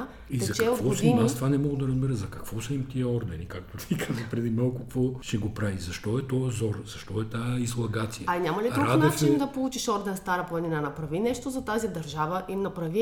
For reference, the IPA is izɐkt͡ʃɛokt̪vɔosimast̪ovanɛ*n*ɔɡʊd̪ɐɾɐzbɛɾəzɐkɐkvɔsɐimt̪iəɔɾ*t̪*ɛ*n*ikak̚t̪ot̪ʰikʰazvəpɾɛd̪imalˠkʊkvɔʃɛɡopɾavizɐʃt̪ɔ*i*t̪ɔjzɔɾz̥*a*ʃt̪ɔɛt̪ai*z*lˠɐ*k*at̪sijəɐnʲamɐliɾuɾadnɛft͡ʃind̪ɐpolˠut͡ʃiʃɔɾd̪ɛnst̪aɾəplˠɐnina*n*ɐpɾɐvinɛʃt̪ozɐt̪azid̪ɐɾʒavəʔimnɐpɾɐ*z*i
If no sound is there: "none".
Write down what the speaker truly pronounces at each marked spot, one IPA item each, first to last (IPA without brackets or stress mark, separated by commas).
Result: m, d̪, n, ɛ, ɐ, z, ɡ, n, v